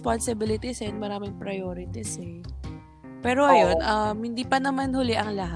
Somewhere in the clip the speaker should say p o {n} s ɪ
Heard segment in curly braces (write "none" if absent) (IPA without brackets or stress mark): n